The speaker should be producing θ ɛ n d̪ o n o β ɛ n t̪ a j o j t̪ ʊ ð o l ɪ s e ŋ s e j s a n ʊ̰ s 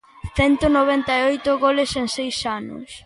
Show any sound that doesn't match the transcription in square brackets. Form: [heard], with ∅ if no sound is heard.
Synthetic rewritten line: θ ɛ n [t̪] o n o β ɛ n t̪ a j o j t̪ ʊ [ɣ] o l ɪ s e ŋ s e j s a n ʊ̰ s